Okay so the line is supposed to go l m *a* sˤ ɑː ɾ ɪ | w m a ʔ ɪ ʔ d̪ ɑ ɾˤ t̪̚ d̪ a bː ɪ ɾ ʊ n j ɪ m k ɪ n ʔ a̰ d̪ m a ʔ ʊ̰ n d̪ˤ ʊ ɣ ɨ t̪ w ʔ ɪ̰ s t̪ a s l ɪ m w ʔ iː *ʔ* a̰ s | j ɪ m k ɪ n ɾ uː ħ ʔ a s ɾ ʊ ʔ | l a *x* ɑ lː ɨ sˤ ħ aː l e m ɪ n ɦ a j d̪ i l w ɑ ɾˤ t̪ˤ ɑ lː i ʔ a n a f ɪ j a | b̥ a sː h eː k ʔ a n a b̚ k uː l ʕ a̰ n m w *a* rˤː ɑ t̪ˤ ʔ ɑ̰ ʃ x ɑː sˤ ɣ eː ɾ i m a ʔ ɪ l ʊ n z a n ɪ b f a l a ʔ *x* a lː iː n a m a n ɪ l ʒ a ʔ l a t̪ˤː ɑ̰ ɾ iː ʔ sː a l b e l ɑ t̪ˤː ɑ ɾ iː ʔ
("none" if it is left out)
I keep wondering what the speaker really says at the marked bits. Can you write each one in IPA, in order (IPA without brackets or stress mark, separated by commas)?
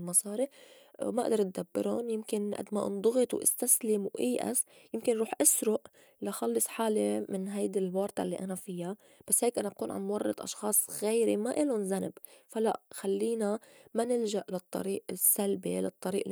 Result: ɑ, ʔ, x, ɑ, x